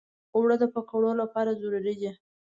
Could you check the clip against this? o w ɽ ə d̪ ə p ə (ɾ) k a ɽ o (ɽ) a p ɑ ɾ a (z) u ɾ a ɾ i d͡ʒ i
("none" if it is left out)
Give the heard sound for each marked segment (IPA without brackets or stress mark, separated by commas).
none, l, z